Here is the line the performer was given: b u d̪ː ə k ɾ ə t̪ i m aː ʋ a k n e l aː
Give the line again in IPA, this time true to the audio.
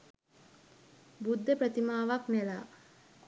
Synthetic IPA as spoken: b u d̪ː ə p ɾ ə t̪ i m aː ʋ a k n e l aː